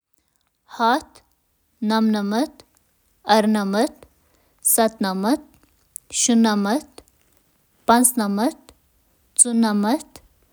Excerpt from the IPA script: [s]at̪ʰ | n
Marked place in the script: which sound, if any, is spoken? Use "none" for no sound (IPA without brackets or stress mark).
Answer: h